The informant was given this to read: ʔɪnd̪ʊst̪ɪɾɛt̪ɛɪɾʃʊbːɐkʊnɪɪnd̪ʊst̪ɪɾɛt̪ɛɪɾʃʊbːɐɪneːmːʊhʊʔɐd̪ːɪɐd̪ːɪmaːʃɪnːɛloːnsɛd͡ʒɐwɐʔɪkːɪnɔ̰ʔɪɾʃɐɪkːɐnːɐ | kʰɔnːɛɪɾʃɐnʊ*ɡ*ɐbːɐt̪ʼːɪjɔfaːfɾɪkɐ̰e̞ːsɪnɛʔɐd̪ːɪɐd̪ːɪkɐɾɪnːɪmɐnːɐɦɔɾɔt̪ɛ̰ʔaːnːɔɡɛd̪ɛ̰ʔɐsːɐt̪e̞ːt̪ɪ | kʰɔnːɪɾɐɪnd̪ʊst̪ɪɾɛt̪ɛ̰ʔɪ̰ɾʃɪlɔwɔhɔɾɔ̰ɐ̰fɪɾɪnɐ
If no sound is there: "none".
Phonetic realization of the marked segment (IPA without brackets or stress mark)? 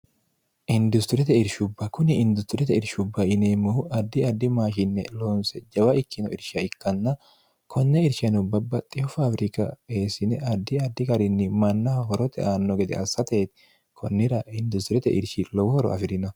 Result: b